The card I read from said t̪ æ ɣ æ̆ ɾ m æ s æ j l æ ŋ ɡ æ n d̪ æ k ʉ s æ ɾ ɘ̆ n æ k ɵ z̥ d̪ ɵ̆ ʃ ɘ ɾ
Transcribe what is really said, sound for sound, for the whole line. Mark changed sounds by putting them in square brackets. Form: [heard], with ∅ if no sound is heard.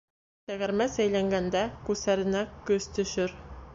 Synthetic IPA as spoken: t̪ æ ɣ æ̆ ɾ m æ s æ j l æ ŋ ɡ æ n d̪ æ k ʉ s æ ɾ ɘ̆ n æ k ɵ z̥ [t̪] ɵ̆ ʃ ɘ ɾ